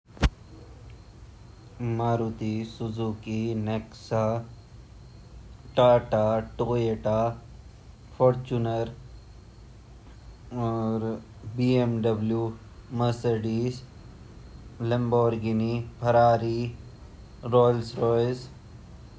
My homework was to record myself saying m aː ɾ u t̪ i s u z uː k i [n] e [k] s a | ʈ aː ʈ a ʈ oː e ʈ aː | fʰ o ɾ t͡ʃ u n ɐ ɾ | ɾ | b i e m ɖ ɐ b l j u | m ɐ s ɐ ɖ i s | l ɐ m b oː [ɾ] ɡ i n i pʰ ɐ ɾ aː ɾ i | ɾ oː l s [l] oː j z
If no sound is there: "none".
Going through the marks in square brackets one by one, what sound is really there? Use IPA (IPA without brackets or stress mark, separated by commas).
n, k, ɾ, ɾ